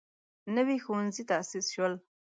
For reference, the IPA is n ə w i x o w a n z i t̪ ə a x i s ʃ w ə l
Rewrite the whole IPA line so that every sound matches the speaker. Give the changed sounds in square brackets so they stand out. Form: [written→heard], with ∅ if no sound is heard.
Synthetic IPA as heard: n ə w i x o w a n z i t̪ [ə→a] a [x→s] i s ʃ w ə l